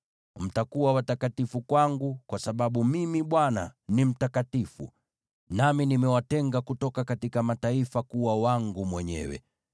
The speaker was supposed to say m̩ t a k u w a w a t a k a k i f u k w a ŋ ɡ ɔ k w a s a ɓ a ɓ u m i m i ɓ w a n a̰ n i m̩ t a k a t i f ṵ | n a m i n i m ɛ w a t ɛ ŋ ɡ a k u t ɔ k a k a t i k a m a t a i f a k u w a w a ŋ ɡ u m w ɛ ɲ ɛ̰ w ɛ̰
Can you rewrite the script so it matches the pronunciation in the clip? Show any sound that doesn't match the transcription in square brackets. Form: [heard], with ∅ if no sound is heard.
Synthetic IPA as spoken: m̩ t a k u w a w a t a k a [t] i f u k w a ŋ ɡ [u] k w a s a ɓ a ɓ u m i m i ɓ w a n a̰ n i m̩ t a k a t i f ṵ | n a m i n i m ɛ w a t ɛ ŋ ɡ a k u t ɔ k a k a t i k a m a t a i f a k u w a w a ŋ ɡ u m w ɛ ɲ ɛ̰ w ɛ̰